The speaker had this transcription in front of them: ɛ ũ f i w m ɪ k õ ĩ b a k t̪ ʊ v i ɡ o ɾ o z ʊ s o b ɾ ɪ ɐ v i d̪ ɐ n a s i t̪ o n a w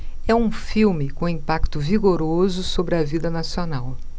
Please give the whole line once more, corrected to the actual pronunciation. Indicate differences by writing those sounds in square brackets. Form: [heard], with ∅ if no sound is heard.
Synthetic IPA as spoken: ɛ ũ f i w m ɪ k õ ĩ [p] a k t̪ ʊ v i ɡ o ɾ o z ʊ s o b ɾ ɪ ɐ v i d̪ ɐ n a s i [∅] o n a w